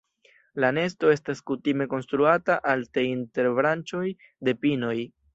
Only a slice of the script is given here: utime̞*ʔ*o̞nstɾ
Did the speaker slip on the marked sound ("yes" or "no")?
yes